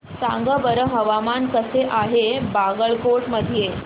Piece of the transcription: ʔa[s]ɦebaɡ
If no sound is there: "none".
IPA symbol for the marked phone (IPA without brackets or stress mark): none